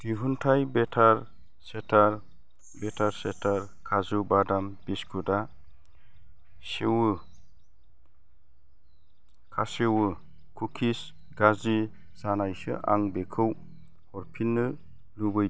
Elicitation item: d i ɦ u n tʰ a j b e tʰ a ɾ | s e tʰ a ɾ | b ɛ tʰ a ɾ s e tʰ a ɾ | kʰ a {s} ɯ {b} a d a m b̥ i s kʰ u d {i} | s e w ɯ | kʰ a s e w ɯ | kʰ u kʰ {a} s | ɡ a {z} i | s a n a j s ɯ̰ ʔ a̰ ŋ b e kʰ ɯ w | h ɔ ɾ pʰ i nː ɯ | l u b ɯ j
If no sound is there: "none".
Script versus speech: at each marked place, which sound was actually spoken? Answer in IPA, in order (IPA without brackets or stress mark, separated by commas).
z, b, a, i, z